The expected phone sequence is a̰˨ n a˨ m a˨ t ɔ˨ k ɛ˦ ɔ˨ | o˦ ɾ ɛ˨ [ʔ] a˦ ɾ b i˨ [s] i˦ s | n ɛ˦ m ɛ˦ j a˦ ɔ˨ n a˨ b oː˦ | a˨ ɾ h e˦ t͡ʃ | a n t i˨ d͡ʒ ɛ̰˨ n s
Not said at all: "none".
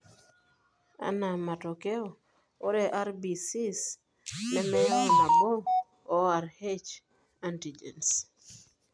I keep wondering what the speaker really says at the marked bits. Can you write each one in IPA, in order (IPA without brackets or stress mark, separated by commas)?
ʔ, s